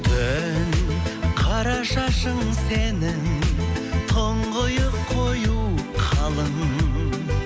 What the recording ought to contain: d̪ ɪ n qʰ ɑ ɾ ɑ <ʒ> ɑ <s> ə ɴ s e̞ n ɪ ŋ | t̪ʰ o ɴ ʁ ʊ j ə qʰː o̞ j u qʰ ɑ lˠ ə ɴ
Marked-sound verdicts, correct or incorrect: incorrect, incorrect

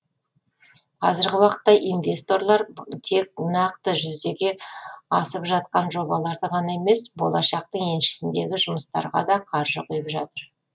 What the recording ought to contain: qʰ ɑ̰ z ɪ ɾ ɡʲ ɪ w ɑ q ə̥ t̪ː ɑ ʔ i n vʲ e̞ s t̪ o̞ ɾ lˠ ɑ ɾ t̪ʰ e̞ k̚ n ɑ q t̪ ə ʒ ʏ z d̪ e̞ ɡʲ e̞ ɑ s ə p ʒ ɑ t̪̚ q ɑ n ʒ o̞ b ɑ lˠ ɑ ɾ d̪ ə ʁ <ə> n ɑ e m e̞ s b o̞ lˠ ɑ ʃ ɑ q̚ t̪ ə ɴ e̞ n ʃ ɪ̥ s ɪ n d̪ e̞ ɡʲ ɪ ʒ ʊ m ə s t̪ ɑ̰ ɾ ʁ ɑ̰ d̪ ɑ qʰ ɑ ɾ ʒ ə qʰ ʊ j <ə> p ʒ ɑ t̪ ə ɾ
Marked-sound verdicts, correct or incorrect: incorrect, correct

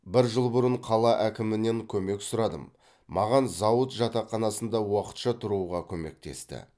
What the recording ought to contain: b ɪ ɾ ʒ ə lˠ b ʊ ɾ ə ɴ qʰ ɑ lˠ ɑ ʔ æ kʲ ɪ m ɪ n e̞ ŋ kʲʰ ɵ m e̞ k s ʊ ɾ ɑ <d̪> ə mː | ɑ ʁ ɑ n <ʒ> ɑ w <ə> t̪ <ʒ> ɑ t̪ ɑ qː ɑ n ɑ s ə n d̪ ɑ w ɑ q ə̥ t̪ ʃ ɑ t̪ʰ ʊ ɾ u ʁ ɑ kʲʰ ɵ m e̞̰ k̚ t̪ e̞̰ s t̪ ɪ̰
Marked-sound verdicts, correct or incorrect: correct, incorrect, correct, correct

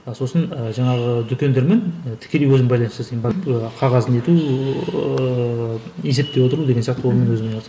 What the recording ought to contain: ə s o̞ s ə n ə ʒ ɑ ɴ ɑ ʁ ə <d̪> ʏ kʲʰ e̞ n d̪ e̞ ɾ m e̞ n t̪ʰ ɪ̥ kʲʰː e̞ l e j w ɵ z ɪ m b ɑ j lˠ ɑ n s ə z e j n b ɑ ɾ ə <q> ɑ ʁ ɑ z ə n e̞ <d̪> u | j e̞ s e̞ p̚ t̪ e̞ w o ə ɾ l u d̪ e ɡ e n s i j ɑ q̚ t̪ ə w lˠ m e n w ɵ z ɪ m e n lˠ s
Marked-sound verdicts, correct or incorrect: correct, incorrect, incorrect

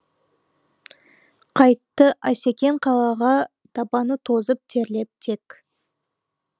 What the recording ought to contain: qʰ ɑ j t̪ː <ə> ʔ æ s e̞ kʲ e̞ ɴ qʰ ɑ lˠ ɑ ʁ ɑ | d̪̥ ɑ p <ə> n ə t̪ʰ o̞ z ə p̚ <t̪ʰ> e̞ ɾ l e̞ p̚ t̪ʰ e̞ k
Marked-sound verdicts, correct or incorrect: correct, incorrect, correct

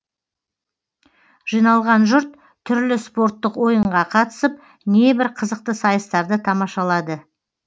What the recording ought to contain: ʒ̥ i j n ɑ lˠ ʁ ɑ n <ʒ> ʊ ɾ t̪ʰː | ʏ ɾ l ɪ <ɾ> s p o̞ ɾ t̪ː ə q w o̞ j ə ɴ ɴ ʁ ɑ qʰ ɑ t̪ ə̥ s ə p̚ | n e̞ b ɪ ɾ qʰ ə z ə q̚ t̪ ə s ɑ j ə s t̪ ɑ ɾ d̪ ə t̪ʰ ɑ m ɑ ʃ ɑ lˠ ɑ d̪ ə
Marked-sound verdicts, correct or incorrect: correct, incorrect

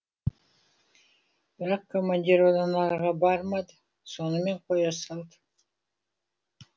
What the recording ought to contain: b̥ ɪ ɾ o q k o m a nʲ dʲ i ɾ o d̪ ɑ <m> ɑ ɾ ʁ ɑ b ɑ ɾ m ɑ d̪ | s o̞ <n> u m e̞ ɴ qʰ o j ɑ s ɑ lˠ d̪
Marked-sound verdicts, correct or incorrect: incorrect, correct

